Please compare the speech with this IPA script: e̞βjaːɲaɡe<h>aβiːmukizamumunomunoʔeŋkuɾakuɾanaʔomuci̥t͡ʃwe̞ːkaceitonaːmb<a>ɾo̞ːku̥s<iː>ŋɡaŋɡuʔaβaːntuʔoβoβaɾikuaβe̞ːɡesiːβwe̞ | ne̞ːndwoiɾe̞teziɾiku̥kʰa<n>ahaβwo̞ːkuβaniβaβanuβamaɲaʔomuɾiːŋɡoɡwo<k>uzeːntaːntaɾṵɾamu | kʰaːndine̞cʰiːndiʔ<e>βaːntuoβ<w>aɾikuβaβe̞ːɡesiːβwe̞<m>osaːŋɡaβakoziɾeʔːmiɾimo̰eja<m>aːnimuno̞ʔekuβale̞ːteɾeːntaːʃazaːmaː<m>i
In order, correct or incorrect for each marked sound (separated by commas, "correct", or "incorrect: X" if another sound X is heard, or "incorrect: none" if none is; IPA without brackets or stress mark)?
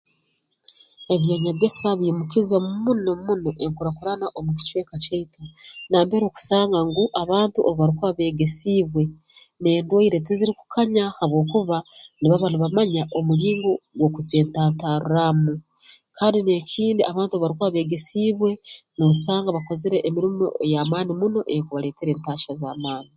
incorrect: s, incorrect: e, incorrect: aː, incorrect: ɲ, correct, incorrect: a, incorrect: β, incorrect: n, correct, incorrect: n